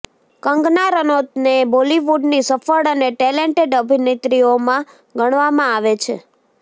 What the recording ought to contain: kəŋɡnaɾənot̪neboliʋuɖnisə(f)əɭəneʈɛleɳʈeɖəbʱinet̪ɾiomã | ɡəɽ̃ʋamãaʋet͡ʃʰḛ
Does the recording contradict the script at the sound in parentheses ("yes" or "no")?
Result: no